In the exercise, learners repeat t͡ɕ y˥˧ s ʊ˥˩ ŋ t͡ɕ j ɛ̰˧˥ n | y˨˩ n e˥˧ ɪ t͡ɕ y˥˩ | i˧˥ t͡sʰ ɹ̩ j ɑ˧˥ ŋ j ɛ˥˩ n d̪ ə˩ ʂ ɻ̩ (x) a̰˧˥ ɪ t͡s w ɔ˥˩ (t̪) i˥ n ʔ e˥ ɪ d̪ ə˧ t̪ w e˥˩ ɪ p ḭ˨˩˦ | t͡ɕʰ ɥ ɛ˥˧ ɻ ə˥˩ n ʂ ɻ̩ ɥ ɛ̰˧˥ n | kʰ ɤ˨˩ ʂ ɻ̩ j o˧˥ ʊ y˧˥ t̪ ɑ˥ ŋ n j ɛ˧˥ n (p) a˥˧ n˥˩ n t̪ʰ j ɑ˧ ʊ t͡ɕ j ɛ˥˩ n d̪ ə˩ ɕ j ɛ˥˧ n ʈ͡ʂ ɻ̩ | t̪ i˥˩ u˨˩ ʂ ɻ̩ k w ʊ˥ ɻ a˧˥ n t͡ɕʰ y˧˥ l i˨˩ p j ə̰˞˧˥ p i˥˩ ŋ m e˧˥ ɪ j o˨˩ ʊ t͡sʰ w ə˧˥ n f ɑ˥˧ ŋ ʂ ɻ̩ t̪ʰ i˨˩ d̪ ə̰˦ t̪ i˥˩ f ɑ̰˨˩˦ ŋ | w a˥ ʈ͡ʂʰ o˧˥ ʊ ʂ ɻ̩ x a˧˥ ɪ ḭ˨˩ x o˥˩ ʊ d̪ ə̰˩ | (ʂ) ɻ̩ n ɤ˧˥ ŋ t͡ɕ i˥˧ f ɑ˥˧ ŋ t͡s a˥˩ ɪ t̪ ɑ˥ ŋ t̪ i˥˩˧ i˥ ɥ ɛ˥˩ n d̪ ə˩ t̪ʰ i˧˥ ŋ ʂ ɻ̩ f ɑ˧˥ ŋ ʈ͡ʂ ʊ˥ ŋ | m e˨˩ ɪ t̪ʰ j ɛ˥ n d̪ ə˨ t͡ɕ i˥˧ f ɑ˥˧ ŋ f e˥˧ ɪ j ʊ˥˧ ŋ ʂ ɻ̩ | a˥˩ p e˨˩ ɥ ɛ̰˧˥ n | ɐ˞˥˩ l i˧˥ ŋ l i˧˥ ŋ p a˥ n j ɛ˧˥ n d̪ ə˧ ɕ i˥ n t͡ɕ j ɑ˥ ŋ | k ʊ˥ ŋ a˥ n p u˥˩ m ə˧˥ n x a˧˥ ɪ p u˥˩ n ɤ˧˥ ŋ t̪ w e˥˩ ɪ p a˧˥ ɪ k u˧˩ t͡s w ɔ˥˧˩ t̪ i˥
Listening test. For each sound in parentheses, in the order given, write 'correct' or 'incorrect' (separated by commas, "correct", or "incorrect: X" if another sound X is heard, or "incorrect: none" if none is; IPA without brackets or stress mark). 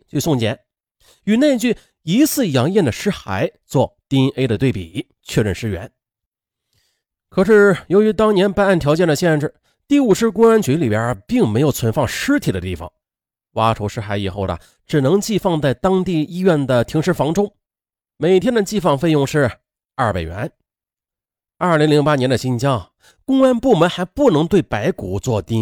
correct, correct, correct, incorrect: ʈ͡ʂ